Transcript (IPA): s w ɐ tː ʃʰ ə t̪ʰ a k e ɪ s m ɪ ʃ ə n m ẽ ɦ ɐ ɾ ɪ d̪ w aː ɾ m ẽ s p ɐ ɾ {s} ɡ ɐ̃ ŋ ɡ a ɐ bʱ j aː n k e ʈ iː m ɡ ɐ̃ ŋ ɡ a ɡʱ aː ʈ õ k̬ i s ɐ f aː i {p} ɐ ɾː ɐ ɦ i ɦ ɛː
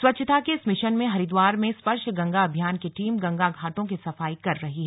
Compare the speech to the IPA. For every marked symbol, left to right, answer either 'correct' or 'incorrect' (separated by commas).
incorrect, incorrect